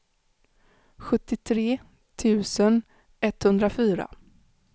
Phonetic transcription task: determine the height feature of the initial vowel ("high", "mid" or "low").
mid